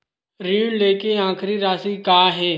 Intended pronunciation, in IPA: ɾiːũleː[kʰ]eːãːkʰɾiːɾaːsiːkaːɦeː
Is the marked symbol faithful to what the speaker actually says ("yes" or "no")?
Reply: no